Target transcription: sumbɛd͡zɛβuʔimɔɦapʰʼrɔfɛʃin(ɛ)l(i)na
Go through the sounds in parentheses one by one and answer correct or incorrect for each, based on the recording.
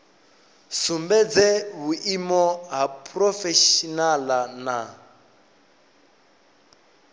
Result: incorrect: a, incorrect: a

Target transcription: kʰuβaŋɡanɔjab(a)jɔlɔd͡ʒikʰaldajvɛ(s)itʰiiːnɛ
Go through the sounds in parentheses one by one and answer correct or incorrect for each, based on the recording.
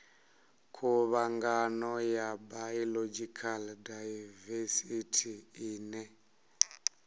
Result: correct, correct

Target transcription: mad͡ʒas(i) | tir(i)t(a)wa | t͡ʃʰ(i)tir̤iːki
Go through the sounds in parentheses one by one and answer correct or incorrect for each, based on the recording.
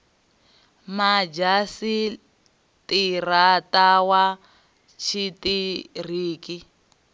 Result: correct, incorrect: a, correct, correct

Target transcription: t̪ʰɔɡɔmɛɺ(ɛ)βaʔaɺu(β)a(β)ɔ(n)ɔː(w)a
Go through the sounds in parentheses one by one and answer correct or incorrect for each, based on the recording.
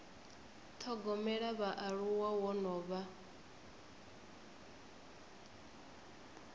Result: incorrect: a, incorrect: w, incorrect: w, correct, incorrect: β

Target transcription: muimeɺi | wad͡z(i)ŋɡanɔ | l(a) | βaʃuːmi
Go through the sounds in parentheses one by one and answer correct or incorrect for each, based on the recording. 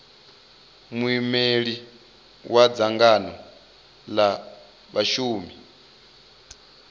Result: incorrect: a, correct

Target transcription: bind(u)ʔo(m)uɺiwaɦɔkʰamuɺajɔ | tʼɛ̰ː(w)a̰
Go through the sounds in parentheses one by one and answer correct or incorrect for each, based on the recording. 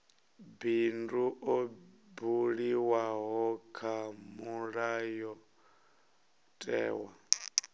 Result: correct, incorrect: b, correct

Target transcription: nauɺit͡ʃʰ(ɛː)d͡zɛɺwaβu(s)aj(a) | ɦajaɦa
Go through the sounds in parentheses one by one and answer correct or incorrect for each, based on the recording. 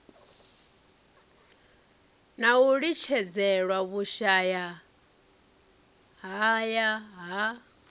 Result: incorrect: ɛ, incorrect: ʃ, correct

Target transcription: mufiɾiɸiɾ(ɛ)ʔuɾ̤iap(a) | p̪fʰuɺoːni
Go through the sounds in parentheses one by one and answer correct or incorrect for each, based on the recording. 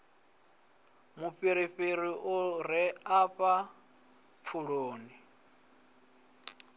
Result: incorrect: i, correct

